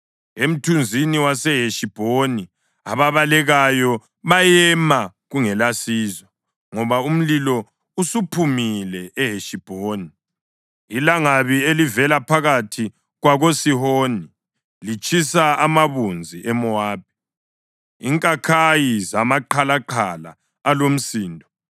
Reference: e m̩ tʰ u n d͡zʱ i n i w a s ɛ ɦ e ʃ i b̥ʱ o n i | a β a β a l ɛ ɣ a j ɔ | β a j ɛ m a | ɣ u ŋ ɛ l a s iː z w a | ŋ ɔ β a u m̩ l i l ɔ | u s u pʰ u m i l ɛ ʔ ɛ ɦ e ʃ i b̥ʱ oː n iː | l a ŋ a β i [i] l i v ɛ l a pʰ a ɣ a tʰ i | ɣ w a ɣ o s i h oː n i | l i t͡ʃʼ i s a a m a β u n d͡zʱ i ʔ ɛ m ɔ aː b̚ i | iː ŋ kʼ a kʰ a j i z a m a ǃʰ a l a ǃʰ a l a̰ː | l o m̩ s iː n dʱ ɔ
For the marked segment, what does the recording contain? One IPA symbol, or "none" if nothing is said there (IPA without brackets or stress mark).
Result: e